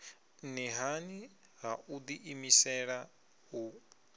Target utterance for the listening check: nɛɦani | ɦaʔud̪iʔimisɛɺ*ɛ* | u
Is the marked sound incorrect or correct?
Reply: incorrect